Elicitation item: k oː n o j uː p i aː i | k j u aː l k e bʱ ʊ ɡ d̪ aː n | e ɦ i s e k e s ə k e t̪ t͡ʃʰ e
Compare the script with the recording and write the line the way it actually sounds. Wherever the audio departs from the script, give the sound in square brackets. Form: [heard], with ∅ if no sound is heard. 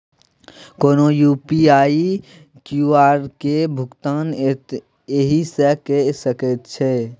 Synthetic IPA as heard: k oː n o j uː p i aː i | k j u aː [ɾ] k e bʱ ʊ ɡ [t̪] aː n | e ɦ i s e k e s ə k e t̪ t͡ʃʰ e